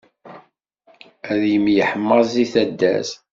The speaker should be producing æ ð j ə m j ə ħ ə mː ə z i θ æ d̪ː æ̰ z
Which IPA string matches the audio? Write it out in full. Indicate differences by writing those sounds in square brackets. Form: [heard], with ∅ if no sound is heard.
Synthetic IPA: æ ð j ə m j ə ħ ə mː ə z i θ æ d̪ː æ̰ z

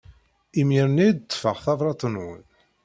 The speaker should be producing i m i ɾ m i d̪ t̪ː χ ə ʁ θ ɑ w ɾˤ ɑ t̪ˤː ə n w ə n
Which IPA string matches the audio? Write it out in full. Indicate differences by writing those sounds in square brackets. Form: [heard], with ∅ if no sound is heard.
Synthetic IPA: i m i ɾ [n] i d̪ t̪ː [f] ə ʁ θ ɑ [v] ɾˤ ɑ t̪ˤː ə n w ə n

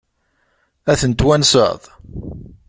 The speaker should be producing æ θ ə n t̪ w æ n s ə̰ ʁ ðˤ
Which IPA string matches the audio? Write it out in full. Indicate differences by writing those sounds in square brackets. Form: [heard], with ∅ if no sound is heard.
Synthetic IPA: æ θ ə n t̪ w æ n s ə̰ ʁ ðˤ

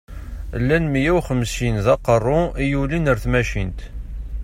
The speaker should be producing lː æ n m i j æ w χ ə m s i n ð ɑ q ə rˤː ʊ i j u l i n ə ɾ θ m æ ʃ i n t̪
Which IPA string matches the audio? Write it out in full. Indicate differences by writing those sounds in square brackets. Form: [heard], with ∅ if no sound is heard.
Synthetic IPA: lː æ n m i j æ w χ ə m s i n ð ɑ q ə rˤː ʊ i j u l i n ə ɾ θ m æ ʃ i n t̪

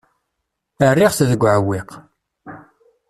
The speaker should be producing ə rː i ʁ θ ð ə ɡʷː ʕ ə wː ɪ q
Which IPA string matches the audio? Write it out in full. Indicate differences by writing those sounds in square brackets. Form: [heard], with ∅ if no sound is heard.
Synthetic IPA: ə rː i ʁ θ ð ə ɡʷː ʕ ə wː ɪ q

